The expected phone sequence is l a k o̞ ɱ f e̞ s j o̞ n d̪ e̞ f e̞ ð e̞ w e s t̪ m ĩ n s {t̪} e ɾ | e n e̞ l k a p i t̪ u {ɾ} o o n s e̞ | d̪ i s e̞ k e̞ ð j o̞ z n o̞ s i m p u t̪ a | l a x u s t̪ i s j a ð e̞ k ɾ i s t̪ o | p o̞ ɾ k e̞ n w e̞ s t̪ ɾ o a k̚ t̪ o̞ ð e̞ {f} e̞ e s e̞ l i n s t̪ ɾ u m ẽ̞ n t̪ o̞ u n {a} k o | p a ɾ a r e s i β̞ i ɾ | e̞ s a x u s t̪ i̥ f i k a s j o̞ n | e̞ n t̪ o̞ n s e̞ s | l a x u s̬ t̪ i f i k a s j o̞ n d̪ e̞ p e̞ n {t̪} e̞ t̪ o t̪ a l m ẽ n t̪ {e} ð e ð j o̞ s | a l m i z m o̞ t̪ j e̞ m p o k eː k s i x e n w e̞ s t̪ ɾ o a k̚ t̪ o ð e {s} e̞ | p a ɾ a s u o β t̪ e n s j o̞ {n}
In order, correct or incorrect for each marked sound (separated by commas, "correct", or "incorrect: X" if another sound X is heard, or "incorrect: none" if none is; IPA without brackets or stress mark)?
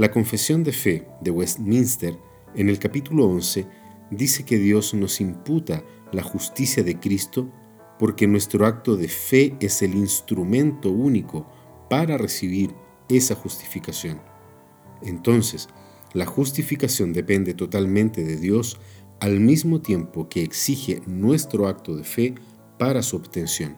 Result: correct, incorrect: l, correct, incorrect: i, incorrect: d̪, correct, incorrect: f, correct